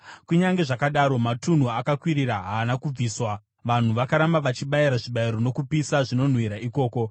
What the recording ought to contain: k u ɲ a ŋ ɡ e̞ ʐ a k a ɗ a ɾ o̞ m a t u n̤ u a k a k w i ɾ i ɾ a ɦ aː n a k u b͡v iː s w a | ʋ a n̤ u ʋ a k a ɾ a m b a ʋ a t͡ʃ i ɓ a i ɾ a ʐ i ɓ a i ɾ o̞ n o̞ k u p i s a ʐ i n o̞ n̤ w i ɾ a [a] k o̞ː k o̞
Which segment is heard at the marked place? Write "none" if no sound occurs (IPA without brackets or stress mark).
i